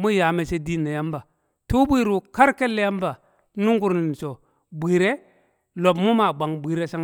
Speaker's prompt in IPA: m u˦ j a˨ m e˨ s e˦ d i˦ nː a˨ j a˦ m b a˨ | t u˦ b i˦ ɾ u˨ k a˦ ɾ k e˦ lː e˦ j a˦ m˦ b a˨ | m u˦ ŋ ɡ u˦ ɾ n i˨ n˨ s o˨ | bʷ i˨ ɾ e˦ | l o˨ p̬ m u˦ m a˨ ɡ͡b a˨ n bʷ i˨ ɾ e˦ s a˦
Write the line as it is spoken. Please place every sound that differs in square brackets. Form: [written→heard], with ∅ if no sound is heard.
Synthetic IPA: m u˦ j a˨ m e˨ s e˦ d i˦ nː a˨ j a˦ m b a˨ | t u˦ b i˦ ɾ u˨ k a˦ ɾ k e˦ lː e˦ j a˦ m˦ b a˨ | [m→n] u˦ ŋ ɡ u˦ ɾ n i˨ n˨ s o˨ | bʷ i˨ ɾ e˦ | l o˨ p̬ m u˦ m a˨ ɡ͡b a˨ [n→ŋ] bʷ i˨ ɾ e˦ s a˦